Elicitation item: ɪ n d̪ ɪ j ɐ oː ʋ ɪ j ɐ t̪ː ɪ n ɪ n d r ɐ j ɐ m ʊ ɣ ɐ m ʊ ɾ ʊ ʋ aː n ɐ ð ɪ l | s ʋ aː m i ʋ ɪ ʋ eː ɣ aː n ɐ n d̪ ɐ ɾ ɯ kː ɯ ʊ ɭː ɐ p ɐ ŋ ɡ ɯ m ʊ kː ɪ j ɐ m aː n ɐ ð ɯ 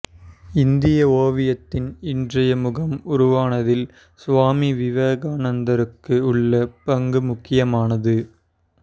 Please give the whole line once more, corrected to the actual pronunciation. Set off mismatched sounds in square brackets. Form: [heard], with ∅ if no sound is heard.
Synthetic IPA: ɪ n d̪ ɪ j ɐ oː ʋ ɪ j ɐ t̪ː ɪ n ɪ n d r ɐ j ɐ m ʊ ɣ ɐ m ʊ ɾ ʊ ʋ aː n ɐ ð ɪ l | s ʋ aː m i ʋ ɪ ʋ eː ɣ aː n ɐ n d̪ ɐ ɾ ɯ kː ɯ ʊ ɭː ɐ p ɐ ŋ ɡ ɯ m ʊ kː ɪ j ɐ m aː n ɐ ð ɯ

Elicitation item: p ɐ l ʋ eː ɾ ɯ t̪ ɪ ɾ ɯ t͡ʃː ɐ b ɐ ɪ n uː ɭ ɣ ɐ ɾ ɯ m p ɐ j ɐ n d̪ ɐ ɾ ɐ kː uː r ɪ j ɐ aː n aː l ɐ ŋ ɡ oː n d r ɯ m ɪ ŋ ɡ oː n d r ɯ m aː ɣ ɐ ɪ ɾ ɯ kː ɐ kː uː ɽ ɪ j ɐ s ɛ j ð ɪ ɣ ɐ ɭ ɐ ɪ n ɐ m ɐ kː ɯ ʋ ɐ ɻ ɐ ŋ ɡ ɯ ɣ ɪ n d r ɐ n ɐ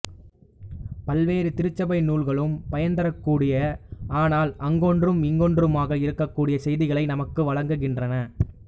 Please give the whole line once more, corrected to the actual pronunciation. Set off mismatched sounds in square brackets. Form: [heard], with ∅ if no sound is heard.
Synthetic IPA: p ɐ l ʋ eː ɾ ɯ t̪ ɪ ɾ ɯ t͡ʃː ɐ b ɐ ɪ n uː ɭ ɣ ɐ [ɭ] ɯ m p ɐ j ɐ n d̪ ɐ ɾ ɐ kː uː [ɽ] ɪ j ɐ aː n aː l ɐ ŋ ɡ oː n d r ɯ m ɪ ŋ ɡ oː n d r ɯ m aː ɣ ɐ ɪ ɾ ɯ kː ɐ kː uː ɽ ɪ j ɐ s ɛ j ð ɪ ɣ ɐ ɭ ɐ ɪ n ɐ m ɐ kː ɯ ʋ ɐ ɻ ɐ ŋ ɡ ɯ ɣ ɪ n d r ɐ n ɐ

